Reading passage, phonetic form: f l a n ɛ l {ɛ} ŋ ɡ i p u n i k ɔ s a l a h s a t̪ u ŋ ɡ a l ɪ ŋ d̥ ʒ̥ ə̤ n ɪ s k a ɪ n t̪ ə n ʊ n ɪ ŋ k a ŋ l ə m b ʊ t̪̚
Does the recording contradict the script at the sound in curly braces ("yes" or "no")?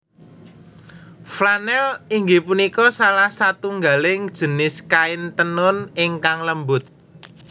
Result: yes